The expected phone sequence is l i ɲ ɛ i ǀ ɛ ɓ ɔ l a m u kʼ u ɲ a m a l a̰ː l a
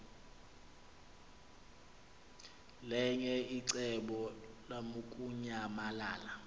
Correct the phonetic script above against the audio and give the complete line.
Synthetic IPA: l ɛ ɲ ɛ i ǀ ɛ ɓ ɔ l a m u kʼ u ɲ a m a l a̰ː l a